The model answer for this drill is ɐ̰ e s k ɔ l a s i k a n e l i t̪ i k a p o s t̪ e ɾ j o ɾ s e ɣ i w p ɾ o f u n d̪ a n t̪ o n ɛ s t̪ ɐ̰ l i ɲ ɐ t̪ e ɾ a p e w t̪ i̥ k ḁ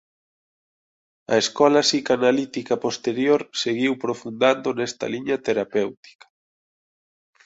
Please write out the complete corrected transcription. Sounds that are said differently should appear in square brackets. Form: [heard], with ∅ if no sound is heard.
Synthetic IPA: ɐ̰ e s k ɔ l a s i k a n [a] l i t̪ i k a p o s t̪ e ɾ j o ɾ s e ɣ i w p ɾ o f u n d̪ a n [d̪] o n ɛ s t̪ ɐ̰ l i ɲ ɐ t̪ e ɾ a p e w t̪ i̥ k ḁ